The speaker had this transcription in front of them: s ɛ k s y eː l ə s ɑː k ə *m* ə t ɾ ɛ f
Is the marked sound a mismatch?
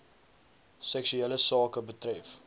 yes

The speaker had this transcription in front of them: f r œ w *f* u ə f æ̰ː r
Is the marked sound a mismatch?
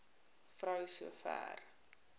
yes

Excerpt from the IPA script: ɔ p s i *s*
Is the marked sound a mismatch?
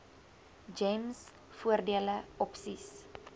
no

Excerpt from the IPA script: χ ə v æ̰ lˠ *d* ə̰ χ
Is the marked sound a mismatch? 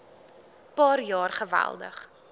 no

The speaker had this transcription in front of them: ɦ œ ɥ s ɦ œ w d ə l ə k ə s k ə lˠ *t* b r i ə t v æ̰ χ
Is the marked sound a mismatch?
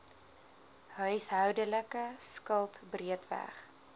no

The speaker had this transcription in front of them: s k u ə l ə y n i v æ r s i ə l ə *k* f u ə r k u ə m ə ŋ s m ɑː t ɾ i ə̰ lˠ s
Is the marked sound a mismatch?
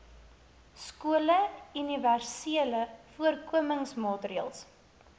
yes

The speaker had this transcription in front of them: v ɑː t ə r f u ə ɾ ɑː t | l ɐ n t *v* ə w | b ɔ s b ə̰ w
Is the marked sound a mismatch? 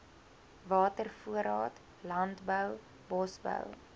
yes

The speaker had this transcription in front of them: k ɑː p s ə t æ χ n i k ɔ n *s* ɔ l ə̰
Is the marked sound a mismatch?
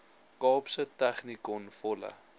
yes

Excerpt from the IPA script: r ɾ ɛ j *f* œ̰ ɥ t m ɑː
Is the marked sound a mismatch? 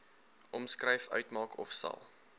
no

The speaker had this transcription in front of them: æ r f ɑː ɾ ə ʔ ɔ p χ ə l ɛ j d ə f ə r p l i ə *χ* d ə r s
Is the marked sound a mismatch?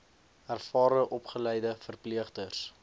no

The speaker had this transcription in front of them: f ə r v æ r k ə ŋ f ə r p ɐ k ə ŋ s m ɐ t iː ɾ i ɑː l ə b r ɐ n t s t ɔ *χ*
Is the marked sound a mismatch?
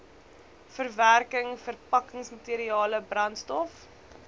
yes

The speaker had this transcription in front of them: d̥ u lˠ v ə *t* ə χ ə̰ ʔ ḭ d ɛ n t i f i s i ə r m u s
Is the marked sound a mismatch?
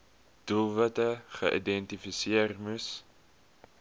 no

